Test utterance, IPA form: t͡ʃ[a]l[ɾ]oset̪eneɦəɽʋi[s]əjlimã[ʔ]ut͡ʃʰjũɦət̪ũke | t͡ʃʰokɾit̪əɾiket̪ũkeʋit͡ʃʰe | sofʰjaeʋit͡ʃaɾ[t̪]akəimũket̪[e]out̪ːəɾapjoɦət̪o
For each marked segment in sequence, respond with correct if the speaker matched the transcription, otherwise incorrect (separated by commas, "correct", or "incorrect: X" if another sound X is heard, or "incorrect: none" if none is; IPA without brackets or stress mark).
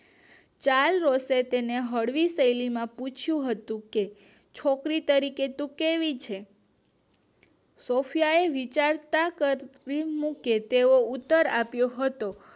correct, correct, correct, incorrect: p, correct, correct